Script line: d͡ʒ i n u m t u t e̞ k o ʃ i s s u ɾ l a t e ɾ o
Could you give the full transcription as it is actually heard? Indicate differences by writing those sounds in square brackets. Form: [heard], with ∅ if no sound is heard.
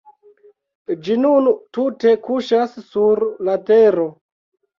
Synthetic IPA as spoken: d͡ʒ i n u [n] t u t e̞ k [u] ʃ [a] s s u ɾ l a t e ɾ o